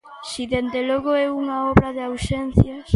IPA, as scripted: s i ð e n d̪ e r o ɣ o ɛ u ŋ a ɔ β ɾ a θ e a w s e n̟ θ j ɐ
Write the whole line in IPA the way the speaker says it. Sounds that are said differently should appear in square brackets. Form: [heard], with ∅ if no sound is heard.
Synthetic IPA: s i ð e n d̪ e [l] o ɣ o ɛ u ŋ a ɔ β ɾ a [ð] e a w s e n̟ θ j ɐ